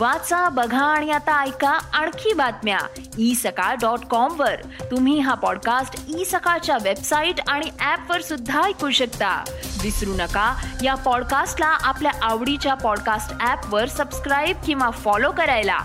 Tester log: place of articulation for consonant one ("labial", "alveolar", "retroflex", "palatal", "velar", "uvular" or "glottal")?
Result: labial